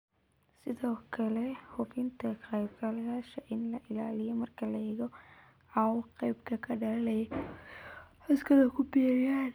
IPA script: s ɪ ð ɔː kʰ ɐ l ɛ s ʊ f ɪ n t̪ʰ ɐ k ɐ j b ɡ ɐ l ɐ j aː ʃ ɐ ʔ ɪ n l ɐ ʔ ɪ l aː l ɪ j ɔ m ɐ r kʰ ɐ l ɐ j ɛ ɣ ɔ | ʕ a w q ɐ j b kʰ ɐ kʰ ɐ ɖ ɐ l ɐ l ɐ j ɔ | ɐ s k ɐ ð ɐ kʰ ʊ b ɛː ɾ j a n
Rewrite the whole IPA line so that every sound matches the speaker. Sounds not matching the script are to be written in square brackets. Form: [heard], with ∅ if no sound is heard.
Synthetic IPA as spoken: s ɪ ð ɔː kʰ ɐ l ɛ [h] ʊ f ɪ n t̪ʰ ɐ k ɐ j b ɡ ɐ l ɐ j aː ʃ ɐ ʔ ɪ n l ɐ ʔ ɪ l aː l ɪ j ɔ m ɐ r kʰ ɐ l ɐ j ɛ ɣ ɔ | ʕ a w q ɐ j b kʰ ɐ kʰ ɐ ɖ ɐ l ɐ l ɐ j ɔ | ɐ s k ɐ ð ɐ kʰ ʊ b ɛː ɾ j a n